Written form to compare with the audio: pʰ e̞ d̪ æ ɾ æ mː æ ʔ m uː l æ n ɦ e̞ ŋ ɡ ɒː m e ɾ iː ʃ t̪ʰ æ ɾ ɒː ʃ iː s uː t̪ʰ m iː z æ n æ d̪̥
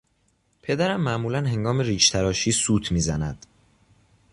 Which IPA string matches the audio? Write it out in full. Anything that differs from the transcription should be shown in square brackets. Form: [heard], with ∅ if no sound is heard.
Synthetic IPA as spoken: pʰ e̞ d̪ æ ɾ æ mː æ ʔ m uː l æ n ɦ e̞ ŋ ɡ ɒː m e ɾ iː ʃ t̪ʰ æ ɾ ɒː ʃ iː s uː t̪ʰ m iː z æ n æ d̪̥